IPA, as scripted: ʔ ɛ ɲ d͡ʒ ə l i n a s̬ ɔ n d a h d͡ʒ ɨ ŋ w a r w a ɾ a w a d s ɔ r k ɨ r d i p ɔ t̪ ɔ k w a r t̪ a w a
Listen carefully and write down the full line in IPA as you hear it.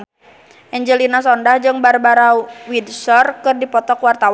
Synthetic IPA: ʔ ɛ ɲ d͡ʒ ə l i n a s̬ ɔ n d a h d͡ʒ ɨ ŋ b a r b a ɾ a w i d s ɔ r k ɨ r d i p ɔ t̪ ɔ k w a r t̪ a w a